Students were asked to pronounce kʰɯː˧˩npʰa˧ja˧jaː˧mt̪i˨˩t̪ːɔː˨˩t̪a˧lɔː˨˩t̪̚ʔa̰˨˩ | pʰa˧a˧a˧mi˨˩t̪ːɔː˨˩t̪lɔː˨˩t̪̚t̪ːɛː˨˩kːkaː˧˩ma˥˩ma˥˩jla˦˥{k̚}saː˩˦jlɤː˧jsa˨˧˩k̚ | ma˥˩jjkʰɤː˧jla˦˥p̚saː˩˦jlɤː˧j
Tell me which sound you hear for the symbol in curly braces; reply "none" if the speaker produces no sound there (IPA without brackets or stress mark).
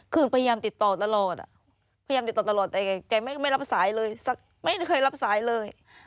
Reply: p̚